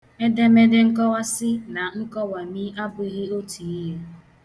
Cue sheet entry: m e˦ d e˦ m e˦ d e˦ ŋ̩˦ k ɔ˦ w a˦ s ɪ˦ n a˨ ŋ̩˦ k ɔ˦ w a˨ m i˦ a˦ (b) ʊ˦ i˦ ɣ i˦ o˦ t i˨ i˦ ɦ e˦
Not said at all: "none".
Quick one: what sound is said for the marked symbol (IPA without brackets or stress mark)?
b